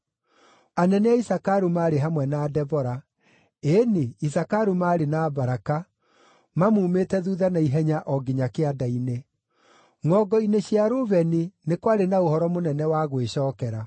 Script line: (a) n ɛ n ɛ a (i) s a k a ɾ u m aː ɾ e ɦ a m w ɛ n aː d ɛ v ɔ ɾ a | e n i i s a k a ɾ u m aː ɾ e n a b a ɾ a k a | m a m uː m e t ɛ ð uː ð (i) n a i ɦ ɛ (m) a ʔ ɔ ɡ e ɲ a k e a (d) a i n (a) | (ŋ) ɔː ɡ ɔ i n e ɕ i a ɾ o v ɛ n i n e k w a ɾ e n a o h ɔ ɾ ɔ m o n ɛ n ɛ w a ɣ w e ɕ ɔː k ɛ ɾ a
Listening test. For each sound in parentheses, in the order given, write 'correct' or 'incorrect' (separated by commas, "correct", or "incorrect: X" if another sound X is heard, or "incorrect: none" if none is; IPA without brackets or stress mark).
correct, correct, incorrect: a, incorrect: ɲ, correct, incorrect: e, correct